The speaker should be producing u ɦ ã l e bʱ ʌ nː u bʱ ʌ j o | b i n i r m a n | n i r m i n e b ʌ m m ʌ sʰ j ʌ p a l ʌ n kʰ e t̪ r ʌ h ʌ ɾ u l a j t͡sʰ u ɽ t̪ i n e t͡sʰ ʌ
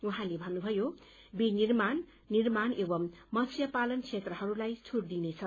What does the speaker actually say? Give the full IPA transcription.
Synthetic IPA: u ɦ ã l e bʱ ʌ nː u bʱ ʌ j o | b i n i r m a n | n i r m a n e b ʌ m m ʌ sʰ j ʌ p a l ʌ n kʰ e t̪ r ʌ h ʌ ɾ u l a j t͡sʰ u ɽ d̪ i n e t͡sʰ ʌ